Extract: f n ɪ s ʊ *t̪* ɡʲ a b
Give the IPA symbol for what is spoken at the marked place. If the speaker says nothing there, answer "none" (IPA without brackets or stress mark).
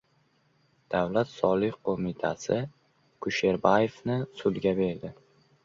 d̪